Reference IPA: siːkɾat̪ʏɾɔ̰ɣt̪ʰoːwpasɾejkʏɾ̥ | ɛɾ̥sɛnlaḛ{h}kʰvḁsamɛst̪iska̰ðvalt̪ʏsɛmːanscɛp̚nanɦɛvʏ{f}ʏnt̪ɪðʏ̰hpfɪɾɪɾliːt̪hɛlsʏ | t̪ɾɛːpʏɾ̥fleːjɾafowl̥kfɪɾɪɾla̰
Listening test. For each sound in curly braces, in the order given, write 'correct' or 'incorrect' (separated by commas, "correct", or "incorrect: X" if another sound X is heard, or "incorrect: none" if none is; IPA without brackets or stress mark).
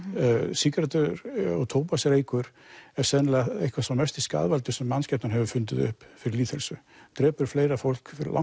correct, correct